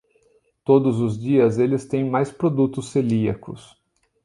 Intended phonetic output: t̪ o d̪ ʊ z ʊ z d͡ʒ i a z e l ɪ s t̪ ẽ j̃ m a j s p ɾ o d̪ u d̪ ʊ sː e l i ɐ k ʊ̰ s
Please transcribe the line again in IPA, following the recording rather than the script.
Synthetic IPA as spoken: t̪ o d̪ ʊ z ʊ z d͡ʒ i ɐ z e l ɪ s t̪ ẽ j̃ m a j s p ɾ o d̪ u t̪ ʊ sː e l i ɐ k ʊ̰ s